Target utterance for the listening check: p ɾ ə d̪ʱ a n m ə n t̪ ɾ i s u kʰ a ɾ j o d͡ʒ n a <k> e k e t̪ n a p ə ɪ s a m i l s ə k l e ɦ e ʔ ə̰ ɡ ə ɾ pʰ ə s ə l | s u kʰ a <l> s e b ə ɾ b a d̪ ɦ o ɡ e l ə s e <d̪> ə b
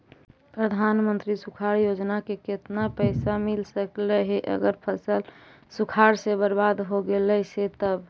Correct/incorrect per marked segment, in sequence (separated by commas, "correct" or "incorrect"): correct, incorrect, incorrect